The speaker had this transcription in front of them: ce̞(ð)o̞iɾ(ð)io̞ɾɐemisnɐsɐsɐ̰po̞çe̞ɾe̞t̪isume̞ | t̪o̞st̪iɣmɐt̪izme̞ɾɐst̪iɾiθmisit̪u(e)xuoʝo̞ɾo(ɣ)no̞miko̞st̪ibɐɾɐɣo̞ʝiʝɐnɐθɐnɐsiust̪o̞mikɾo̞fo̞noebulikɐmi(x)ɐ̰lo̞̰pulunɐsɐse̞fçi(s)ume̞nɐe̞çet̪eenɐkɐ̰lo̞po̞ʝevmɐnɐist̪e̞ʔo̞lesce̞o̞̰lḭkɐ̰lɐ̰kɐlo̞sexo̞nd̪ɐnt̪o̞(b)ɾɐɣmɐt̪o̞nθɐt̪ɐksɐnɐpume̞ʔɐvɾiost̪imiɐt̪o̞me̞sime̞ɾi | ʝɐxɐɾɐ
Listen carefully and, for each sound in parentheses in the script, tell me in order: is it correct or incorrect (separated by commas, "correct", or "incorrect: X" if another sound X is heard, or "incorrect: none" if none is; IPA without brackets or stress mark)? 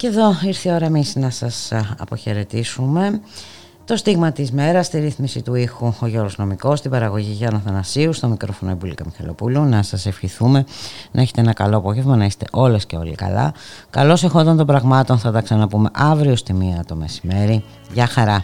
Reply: correct, incorrect: θ, incorrect: i, incorrect: z, correct, incorrect: θ, correct